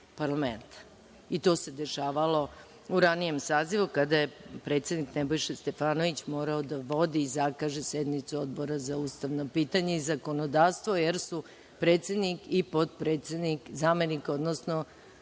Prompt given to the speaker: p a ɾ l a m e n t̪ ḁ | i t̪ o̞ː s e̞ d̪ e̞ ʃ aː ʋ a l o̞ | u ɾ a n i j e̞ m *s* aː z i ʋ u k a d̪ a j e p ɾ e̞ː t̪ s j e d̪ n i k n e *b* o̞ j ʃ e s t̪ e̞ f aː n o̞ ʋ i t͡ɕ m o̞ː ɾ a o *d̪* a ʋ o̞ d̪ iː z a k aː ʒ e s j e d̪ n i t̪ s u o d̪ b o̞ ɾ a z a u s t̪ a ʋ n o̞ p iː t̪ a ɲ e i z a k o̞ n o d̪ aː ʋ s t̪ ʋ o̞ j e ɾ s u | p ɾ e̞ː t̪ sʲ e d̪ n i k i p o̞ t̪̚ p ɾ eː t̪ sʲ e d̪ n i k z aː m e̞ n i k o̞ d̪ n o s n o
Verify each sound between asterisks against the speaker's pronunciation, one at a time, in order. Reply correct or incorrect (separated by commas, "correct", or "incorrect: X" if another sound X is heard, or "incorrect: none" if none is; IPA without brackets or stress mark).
correct, correct, correct